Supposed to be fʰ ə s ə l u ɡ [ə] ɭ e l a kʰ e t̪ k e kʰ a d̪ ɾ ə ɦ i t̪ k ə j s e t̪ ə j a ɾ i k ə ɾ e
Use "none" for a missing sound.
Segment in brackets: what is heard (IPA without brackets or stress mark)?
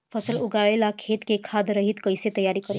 a